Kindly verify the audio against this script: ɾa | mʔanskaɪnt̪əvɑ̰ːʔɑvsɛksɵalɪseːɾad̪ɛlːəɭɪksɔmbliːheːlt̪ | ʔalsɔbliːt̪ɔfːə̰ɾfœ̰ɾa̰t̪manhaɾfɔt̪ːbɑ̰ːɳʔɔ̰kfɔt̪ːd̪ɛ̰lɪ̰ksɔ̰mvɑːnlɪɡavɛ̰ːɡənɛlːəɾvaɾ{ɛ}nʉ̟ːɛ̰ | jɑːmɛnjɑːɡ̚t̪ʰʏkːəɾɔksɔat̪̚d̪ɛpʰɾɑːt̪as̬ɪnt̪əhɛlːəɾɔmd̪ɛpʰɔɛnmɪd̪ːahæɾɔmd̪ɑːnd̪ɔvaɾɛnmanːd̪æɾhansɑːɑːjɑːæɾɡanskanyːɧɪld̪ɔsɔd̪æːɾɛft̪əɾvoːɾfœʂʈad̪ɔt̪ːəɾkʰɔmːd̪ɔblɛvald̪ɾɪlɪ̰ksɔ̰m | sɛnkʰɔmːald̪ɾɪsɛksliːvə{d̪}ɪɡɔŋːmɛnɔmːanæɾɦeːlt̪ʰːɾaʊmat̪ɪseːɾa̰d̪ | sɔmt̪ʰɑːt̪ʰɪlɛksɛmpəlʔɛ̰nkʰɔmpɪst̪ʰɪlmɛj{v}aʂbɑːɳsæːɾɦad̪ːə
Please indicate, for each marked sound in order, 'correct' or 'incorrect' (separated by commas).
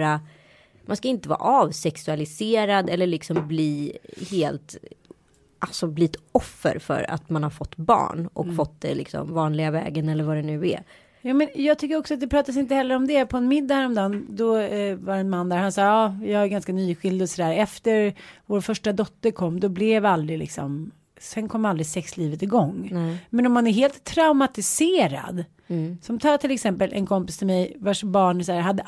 correct, incorrect, correct